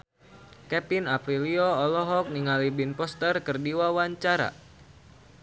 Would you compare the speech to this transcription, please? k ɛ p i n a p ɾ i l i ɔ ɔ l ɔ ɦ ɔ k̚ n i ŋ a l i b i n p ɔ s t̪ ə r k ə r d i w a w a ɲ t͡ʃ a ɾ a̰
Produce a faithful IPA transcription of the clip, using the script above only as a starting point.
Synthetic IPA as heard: k ɛ p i n a p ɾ i l i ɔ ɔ l ɔ ɦ ɔ k̚ n i ŋ a l i b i n p ɔ s t̪ ə r k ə r d i w a w a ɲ t͡ʃ a ɾ a̰